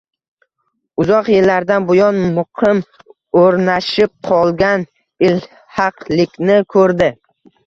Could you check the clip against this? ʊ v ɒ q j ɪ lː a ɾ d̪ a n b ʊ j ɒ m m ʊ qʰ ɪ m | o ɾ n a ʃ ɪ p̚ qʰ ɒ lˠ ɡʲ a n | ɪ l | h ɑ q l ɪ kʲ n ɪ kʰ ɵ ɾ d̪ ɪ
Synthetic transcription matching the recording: ʊ z ɒ q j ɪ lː a ɾ d̪ a n b ʊ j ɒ n m ʊ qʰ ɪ m | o ɾ n a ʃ ɪ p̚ qʰ ɒ lˠ ɡʲ a n | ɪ l | h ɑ q l ɪ kʲ n ɪ kʰ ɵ ɾ d̪ ɪ